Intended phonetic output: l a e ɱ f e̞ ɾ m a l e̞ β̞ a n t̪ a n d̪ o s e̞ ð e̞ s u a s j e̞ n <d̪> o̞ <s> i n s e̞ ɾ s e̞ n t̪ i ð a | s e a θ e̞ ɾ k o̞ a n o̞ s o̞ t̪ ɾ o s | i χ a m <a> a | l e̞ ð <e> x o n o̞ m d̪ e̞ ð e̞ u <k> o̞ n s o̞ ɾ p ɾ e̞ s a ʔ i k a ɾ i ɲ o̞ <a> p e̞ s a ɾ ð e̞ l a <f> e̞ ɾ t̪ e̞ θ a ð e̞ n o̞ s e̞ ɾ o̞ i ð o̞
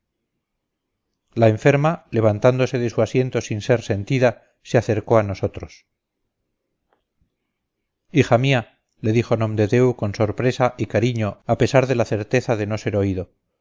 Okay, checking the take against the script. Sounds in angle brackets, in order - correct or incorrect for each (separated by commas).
incorrect, correct, incorrect, incorrect, correct, correct, incorrect